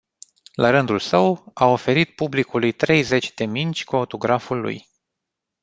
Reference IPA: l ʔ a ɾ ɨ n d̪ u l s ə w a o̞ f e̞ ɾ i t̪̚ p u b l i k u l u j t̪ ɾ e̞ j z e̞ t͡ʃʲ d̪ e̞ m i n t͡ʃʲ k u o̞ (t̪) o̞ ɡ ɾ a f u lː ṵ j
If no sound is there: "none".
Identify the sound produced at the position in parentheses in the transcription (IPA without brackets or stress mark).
t̪